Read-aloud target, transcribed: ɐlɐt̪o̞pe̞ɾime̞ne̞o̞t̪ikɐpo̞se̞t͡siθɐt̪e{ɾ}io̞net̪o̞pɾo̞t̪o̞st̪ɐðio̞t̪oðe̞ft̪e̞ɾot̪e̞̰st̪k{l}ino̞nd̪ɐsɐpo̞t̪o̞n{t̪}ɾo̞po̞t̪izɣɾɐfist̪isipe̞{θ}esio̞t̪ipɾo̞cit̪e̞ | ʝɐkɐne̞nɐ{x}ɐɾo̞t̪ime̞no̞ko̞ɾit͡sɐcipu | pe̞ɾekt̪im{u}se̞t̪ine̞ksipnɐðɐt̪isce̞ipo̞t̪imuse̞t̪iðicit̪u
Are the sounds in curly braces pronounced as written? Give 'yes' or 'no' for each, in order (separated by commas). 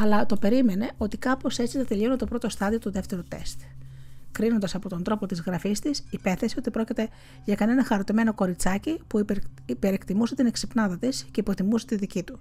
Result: no, no, no, yes, yes, yes